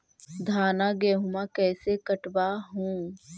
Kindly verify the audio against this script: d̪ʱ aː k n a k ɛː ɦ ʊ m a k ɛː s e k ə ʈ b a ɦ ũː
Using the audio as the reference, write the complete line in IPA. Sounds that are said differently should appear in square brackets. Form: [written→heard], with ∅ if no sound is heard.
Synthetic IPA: d̪ʱ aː [k→∅] n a [k→ɡ] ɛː ɦ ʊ m a k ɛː s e k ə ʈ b a ɦ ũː